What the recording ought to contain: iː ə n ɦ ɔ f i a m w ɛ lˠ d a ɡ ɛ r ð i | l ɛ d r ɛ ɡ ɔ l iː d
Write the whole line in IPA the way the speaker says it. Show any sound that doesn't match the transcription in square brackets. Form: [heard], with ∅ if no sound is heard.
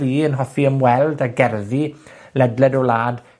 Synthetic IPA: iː ə n ɦ ɔ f i [ə] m w ɛ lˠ d a ɡ ɛ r ð i | l ɛ d [l] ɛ [d] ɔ l [aː] d

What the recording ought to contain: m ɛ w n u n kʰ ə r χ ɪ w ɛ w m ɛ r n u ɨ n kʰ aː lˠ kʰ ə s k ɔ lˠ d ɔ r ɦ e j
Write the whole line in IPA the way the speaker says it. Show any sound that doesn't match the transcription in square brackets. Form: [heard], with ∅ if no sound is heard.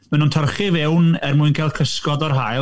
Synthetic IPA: m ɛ [∅] n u n [tʰ] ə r χ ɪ [v] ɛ w [n] ɛ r [m] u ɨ n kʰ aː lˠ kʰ ə s k ɔ [∅] d ɔ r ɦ [a] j

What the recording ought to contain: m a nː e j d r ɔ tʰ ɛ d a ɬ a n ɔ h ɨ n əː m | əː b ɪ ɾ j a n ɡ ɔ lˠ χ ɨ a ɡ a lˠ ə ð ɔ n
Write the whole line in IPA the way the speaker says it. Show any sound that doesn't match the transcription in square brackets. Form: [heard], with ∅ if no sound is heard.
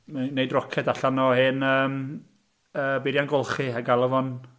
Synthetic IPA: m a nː e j d r ɔ [kʰ] ɛ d a ɬ a n ɔ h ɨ n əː m | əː b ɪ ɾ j a n ɡ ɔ lˠ χ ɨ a ɡ a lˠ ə [v] ɔ n

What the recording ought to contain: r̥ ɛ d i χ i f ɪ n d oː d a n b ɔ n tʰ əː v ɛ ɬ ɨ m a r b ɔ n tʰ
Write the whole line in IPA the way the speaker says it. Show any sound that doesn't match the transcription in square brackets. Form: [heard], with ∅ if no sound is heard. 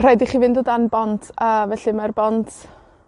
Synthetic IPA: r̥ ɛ d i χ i [v] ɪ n d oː d a n b ɔ n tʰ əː v ɛ ɬ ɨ m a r b ɔ n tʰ

